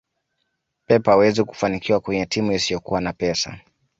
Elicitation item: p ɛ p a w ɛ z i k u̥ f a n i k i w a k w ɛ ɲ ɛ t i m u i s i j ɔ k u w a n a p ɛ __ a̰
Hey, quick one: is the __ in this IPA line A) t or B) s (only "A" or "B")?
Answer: B